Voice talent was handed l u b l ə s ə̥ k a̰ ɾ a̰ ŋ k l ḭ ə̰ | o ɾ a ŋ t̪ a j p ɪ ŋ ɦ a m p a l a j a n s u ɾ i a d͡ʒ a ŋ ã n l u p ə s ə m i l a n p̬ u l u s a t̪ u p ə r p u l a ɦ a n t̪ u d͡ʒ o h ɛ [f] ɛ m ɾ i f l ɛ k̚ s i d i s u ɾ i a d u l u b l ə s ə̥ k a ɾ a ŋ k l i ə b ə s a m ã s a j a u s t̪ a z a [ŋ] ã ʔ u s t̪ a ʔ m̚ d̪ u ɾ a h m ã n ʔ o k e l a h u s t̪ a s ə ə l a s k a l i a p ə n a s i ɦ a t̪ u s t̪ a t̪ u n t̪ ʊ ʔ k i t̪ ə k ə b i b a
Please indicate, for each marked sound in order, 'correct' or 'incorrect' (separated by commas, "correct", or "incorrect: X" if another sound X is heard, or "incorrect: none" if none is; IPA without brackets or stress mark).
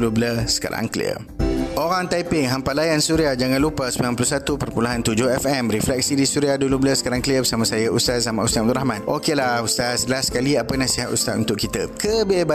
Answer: correct, incorrect: m